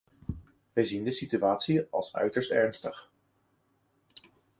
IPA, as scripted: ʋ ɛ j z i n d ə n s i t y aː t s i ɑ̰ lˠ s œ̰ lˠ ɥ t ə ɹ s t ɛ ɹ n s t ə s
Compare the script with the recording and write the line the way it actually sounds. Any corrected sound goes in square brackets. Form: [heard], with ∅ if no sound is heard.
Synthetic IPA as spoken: ʋ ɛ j z i n d ə [∅] s i t y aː t s i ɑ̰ lˠ s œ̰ [∅] ɥ t ə ɹ s t ɛ ɹ n s t ə [χ]